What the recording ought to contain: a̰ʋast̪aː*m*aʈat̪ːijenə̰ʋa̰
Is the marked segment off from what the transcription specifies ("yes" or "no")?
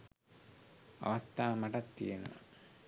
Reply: no